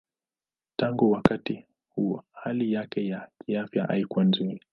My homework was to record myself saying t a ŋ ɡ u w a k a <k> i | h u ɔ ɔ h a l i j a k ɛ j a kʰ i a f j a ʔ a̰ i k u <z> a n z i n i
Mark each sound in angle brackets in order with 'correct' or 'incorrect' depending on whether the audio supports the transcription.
incorrect, incorrect

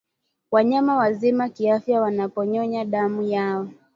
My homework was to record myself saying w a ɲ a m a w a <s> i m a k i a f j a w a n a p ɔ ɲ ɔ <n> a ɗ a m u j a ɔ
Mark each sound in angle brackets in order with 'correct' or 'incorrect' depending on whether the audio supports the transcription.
incorrect, incorrect

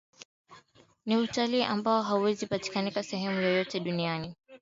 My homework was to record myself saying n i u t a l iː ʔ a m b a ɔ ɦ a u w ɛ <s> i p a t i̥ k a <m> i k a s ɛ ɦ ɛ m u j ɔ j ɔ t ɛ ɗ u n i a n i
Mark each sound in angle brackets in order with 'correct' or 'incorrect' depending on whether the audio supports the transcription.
incorrect, incorrect

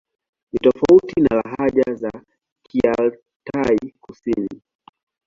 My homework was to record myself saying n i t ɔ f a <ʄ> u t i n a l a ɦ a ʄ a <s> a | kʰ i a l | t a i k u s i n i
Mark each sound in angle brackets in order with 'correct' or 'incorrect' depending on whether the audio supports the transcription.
incorrect, incorrect

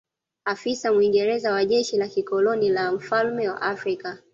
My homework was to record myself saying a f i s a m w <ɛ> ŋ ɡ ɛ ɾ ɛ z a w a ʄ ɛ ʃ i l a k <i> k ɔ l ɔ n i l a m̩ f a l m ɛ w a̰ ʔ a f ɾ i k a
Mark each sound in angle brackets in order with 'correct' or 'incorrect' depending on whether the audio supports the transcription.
incorrect, correct

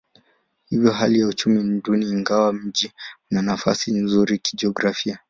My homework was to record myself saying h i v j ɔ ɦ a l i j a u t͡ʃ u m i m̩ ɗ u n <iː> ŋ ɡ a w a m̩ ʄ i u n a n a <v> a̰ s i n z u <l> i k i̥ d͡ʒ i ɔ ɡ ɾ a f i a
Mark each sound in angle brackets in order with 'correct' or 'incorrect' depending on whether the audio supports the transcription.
correct, incorrect, incorrect

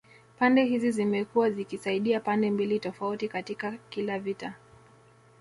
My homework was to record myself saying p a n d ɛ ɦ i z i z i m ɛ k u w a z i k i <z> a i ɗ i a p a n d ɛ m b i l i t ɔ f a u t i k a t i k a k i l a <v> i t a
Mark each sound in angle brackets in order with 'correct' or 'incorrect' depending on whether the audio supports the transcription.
incorrect, correct

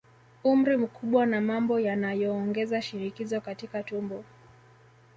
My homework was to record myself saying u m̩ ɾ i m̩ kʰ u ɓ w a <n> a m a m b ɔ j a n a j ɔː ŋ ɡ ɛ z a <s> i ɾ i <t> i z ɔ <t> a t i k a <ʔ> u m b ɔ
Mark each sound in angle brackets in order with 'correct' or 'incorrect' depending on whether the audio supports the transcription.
correct, incorrect, incorrect, incorrect, incorrect

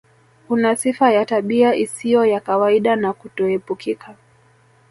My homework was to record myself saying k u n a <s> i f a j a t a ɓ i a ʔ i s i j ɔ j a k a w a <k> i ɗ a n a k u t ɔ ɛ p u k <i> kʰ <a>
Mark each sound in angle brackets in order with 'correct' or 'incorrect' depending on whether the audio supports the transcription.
correct, incorrect, correct, correct

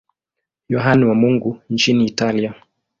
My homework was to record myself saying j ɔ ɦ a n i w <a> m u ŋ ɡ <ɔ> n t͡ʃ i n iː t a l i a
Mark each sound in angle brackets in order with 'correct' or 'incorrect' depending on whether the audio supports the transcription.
correct, incorrect

